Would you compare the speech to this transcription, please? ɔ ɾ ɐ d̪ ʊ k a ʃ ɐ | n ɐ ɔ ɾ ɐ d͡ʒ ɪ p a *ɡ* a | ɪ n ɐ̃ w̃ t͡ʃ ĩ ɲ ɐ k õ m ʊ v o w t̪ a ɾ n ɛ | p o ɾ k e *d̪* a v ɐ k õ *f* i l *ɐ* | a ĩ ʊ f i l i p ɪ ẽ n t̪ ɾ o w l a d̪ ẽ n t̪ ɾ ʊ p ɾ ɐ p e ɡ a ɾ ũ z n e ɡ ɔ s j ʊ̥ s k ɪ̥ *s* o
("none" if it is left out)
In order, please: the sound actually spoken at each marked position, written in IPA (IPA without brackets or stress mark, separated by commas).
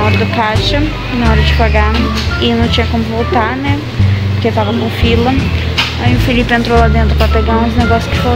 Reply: ɡ, t̪, f, ɐ, f